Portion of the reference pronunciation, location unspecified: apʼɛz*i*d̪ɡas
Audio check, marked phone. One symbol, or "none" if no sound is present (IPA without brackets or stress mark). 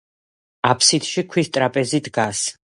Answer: i